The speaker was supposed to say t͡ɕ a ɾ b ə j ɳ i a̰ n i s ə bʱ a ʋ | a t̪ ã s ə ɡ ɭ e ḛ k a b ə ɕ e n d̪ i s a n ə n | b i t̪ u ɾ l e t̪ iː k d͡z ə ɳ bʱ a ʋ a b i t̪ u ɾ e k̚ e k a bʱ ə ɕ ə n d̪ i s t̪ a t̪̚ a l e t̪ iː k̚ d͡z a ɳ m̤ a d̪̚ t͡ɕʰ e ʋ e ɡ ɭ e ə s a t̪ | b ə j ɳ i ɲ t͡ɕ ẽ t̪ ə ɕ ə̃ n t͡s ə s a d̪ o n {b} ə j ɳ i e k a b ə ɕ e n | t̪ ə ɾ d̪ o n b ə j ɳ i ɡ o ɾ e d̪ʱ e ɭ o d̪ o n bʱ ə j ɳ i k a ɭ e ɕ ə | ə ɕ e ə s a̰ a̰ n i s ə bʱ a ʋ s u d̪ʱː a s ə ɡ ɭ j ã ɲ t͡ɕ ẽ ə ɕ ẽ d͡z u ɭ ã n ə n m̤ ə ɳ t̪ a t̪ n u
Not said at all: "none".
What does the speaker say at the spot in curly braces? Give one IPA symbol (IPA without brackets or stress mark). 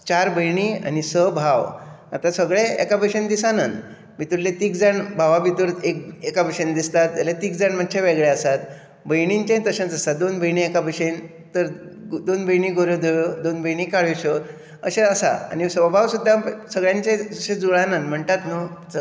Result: b